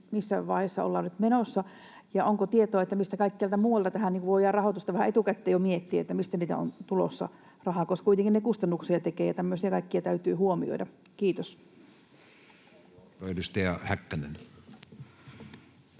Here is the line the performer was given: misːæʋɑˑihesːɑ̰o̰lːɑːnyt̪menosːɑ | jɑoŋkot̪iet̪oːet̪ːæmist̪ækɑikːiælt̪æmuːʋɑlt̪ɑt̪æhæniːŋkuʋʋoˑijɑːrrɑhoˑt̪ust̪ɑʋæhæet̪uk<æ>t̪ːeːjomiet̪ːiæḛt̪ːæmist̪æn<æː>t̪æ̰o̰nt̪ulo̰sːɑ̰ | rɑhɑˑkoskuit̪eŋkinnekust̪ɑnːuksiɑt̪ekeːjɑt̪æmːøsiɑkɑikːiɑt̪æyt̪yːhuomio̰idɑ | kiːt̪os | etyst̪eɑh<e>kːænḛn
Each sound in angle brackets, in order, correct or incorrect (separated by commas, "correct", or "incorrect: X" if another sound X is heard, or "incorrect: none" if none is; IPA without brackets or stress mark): correct, incorrect: iː, incorrect: æ